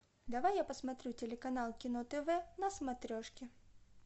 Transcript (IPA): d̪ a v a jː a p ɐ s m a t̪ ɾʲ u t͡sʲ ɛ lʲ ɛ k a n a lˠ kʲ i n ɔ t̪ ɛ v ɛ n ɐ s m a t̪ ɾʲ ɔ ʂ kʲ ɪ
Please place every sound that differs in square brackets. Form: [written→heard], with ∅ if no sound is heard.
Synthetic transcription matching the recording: d̪ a v a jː a p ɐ s m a t̪ ɾʲ u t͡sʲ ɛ lʲ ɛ k a n a lˠ kʲ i n ɔ t̪ ɛ v ɛ n ɐ s m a t̪ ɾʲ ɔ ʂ kʲ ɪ